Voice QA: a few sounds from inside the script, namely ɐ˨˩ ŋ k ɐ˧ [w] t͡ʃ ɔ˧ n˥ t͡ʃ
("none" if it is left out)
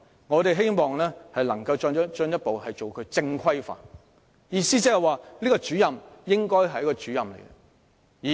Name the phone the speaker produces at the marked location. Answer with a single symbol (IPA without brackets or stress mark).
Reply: w